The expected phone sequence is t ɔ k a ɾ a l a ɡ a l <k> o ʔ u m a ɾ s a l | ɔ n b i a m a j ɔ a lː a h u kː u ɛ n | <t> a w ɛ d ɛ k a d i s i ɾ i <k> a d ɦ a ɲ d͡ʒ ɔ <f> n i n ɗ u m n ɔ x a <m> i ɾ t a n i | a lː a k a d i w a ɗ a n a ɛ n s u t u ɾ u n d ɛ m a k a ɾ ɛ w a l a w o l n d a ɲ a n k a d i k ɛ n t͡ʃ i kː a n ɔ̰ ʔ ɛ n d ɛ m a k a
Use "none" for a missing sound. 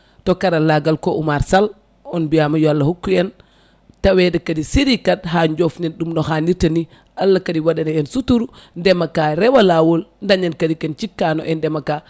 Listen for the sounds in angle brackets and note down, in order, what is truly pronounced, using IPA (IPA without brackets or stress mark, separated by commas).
k, t, k, f, n